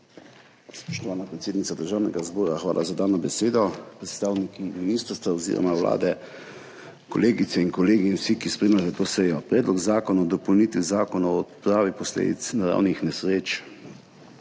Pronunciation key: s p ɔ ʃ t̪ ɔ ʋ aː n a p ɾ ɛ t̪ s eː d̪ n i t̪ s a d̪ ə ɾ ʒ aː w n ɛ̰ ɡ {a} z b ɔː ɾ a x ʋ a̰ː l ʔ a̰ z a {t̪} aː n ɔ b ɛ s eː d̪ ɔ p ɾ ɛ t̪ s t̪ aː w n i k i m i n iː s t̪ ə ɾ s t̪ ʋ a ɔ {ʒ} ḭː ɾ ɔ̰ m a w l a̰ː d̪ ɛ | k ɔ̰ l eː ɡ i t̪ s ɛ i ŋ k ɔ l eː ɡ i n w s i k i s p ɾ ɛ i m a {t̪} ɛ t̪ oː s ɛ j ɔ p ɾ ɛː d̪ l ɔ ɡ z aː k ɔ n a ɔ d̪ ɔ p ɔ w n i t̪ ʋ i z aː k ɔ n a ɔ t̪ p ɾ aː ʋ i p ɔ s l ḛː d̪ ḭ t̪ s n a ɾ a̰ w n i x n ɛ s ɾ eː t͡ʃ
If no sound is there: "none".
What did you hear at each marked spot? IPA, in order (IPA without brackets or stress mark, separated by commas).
a, d̪, z, t̪